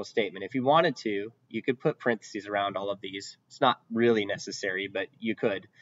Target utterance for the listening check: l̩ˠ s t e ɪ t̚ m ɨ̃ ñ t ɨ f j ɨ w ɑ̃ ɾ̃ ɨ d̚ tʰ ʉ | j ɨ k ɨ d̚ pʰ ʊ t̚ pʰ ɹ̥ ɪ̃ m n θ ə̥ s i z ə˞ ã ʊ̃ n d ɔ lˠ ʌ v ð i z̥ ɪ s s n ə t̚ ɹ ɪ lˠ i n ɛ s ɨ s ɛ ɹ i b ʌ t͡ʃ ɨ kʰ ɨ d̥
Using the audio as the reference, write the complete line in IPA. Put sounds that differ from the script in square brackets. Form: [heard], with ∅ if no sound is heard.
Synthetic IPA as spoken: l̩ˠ s t e ɪ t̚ m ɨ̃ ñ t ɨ f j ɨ w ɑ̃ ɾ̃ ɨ d̚ tʰ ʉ | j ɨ k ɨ d̚ pʰ ʊ t̚ pʰ ɹ̥ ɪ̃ [∅] n θ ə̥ s i z ə˞ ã ʊ̃ n d ɔ lˠ ʌ v ð i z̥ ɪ [t] s n ə t̚ ɹ ɪ lˠ i n ɛ s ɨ s ɛ ɹ i b ʌ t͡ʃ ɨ kʰ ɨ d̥